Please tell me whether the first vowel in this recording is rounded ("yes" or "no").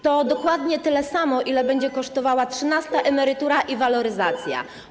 yes